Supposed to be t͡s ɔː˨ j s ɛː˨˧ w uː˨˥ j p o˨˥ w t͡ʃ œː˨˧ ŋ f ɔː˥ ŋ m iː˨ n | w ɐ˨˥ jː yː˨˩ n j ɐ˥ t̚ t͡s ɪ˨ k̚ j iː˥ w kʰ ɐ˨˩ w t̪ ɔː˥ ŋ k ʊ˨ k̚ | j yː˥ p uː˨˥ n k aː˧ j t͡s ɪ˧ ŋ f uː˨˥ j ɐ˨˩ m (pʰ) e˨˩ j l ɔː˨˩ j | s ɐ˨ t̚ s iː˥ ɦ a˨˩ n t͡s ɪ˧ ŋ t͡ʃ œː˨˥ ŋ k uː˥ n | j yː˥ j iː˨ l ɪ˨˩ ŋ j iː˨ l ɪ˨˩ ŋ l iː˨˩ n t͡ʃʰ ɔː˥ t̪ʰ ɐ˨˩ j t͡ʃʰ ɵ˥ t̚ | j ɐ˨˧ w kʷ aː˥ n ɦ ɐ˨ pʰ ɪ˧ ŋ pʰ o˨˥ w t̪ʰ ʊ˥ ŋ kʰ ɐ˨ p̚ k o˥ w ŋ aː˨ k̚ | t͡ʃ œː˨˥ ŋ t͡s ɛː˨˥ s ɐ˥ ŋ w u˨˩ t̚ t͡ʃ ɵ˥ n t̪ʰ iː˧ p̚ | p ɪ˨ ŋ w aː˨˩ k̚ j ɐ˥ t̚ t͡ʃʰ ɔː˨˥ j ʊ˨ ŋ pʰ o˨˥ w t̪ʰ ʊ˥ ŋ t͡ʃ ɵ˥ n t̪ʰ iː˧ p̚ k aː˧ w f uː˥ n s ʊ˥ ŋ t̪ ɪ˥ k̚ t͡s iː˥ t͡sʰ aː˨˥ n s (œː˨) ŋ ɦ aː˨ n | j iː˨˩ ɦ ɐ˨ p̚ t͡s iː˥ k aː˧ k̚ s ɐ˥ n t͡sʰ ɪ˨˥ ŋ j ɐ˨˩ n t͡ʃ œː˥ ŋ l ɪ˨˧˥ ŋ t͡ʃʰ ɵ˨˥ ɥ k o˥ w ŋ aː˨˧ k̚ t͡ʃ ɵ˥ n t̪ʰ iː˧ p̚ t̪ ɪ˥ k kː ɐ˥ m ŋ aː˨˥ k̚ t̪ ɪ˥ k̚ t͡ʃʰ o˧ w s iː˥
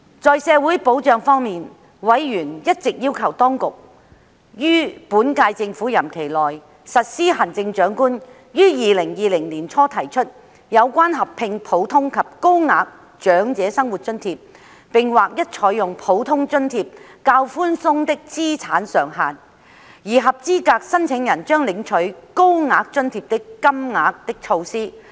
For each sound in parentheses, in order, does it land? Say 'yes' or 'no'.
no, yes

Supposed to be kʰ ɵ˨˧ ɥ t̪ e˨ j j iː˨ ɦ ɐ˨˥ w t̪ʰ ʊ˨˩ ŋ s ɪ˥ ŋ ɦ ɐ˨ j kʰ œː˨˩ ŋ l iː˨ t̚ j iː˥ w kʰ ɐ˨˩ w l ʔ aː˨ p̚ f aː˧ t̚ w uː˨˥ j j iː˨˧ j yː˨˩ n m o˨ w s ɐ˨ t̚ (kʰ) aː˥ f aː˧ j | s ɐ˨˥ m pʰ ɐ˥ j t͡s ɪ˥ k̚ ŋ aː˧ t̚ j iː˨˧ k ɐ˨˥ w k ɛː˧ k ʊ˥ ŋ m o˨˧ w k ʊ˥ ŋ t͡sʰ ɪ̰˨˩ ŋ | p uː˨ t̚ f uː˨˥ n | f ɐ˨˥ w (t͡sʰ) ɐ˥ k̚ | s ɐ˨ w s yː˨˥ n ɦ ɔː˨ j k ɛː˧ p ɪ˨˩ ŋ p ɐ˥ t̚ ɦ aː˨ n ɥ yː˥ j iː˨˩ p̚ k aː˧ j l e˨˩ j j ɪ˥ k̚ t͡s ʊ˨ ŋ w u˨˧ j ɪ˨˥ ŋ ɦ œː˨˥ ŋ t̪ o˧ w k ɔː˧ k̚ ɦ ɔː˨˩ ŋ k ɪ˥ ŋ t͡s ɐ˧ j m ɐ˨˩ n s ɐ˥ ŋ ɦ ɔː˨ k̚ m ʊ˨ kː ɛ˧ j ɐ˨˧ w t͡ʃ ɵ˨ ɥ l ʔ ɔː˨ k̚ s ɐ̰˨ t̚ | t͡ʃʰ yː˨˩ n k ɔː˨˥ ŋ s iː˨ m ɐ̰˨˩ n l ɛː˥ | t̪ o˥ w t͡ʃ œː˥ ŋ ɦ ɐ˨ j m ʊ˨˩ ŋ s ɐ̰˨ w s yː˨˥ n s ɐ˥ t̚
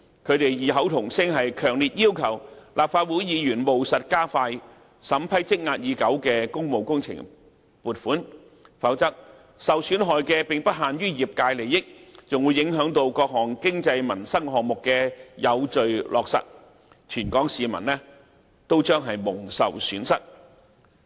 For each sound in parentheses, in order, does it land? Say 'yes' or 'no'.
no, no

